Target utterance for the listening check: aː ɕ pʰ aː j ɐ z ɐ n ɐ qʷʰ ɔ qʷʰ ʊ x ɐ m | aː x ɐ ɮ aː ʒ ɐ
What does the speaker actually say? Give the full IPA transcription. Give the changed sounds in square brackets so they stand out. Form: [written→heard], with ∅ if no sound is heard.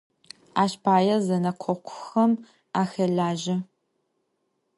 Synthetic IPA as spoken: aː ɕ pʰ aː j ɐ z ɐ n ɐ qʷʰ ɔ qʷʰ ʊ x ɐ m | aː x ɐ ɮ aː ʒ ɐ